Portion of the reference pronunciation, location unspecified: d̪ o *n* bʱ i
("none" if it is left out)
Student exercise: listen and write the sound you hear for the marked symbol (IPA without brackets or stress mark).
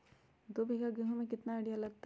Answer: none